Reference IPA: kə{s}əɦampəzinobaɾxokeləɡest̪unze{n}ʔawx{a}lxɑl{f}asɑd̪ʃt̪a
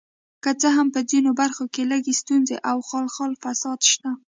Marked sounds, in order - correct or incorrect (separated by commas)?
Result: incorrect, incorrect, incorrect, correct